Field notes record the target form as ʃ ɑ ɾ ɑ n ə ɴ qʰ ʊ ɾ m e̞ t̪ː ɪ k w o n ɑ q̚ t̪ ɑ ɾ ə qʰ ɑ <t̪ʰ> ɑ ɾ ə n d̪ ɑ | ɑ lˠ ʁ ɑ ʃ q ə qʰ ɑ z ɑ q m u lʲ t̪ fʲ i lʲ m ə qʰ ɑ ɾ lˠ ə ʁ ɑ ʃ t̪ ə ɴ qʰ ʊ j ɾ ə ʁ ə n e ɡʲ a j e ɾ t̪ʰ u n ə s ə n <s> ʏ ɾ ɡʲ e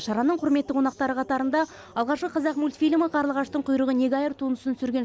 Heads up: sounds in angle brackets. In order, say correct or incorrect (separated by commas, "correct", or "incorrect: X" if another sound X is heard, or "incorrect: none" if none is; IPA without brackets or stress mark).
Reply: incorrect: t̪, correct